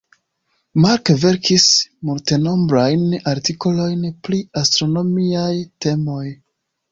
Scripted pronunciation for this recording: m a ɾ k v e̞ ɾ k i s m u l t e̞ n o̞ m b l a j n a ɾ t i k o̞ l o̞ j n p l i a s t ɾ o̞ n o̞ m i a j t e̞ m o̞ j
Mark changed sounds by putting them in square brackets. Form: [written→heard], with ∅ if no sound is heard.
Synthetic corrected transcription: m a ɾ k v e̞ ɾ k i s m u l t e̞ n o̞ m b [l→ɾ] a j n a ɾ t i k o̞ l o̞ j n p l i a s t ɾ o̞ n o̞ m i a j t e̞ m o̞ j

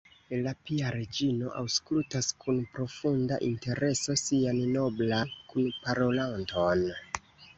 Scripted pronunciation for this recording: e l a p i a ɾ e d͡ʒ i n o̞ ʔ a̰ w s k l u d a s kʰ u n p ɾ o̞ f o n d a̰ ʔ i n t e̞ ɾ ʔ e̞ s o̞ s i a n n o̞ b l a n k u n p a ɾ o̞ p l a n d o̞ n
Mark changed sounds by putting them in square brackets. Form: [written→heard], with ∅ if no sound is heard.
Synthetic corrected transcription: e l a p i a ɾ e d͡ʒ i n o̞ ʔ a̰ w s k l u [d→t] a s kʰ u n p ɾ o̞ f [o→u] n d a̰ ʔ i n t e̞ ɾ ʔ e̞ s o̞ s i a n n o̞ b l a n k u n p a ɾ o̞ [p→∅] l a n [d→t] o̞ n

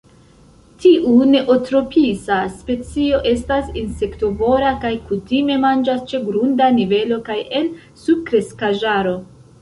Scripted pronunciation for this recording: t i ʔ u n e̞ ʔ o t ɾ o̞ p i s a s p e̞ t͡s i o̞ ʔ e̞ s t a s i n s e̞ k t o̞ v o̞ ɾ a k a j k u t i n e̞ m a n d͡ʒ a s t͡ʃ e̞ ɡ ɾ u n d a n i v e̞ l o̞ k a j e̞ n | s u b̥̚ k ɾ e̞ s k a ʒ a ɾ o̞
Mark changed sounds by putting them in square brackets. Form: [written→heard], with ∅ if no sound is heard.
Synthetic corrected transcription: t i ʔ u n e̞ ʔ o t ɾ o̞ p i s a s p e̞ t͡s i o̞ ʔ e̞ s t a s i n s e̞ k t o̞ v o̞ ɾ a k a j k u t i [n→m] e̞ m a n d͡ʒ a s t͡ʃ e̞ ɡ ɾ u n d a n i v e̞ l o̞ k a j e̞ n | s u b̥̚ k ɾ e̞ s k a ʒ a ɾ o̞

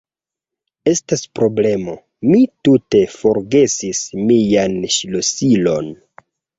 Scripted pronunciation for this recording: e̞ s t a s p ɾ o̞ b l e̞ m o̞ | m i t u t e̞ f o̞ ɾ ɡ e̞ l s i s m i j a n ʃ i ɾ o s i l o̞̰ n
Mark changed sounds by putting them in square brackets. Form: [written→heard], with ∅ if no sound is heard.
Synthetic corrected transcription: e̞ s t a s p ɾ o̞ b l e̞ m o̞ | m i t u t e̞ f o̞ ɾ ɡ e̞ [l→∅] s i s m i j a n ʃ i [ɾ→l] o s i l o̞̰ n

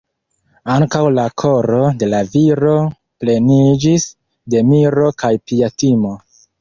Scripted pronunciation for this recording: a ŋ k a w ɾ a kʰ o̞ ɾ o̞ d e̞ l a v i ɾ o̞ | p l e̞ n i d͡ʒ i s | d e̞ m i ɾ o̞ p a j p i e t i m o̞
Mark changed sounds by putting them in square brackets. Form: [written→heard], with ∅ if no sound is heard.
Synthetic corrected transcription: a ŋ k a w [ɾ→l] a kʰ o̞ ɾ o̞ d e̞ l a v i ɾ o̞ | p l e̞ n i d͡ʒ i s | d e̞ m i ɾ o̞ [p→k] a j p i [e→a] t i m o̞

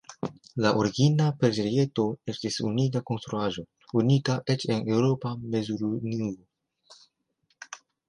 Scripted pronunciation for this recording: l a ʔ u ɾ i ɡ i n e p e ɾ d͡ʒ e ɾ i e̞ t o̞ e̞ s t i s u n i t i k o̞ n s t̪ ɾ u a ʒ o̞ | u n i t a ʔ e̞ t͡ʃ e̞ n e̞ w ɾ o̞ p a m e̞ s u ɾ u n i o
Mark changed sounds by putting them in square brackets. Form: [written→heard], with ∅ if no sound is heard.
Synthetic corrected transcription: l a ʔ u ɾ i ɡ i n [e→a] p e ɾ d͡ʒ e ɾ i e̞ t o̞ e̞ s t i s u n i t [i→a] k o̞ n s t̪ ɾ u a ʒ o̞ | u n i t a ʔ e̞ t͡ʃ e̞ n e̞ w ɾ o̞ p a m e̞ [s→z] u ɾ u n i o

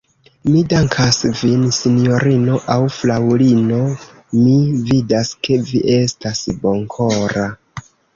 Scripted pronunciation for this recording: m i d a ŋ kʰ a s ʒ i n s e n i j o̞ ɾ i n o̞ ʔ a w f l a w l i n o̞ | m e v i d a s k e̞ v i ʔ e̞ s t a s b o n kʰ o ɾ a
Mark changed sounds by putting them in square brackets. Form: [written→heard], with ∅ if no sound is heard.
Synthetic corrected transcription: m i d a ŋ kʰ a s [ʒ→v] i n s [e→i] n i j o̞ ɾ i n o̞ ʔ a w f l a w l i n o̞ | m [e→i] v i d a s k e̞ v i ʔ e̞ s t a s b o [n→ŋ] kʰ o ɾ a

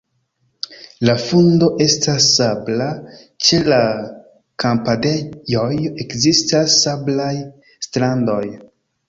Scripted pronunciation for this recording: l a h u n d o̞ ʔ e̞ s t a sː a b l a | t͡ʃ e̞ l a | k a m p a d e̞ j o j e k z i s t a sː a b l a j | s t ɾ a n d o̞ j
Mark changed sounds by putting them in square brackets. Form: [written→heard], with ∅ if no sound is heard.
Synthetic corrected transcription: l a [h→f] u n d o̞ ʔ e̞ s t a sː a b l a | t͡ʃ e̞ l a | k a m p a d e̞ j o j e k z i s t a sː a b l a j | s t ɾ a n d o̞ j

